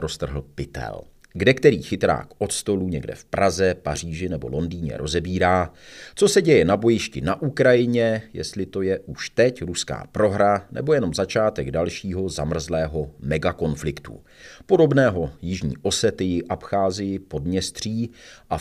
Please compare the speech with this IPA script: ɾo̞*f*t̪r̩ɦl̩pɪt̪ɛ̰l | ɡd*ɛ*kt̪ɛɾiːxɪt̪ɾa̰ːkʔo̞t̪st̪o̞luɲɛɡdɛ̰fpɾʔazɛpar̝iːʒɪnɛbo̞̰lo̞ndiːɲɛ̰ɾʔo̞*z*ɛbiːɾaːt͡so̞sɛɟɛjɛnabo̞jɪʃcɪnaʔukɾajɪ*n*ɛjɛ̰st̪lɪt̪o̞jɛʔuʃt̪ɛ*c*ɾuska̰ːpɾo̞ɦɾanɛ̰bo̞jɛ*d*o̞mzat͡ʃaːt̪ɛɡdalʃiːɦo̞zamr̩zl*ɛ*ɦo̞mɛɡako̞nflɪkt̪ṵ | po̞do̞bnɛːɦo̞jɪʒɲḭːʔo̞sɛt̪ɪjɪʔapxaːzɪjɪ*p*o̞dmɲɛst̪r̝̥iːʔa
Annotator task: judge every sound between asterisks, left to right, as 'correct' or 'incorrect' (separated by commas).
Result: incorrect, correct, correct, incorrect, correct, incorrect, incorrect, correct